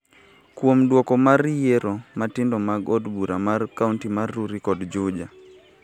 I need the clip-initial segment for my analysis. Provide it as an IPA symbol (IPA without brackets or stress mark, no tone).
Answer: k